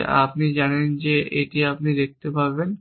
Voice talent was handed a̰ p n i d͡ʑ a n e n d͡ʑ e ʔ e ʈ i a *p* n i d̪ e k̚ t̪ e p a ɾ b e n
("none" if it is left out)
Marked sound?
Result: p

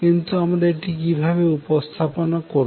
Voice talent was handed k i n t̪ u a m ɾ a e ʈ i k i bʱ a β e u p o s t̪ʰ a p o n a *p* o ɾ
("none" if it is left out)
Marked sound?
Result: k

